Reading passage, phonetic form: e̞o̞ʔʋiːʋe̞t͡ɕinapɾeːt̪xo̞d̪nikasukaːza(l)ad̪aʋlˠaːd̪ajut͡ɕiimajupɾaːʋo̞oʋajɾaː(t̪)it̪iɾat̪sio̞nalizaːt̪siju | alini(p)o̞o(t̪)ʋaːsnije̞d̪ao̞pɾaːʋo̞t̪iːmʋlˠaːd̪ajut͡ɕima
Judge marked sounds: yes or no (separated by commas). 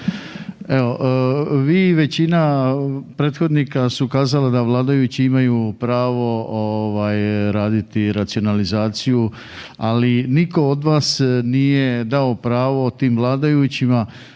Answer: yes, no, no, no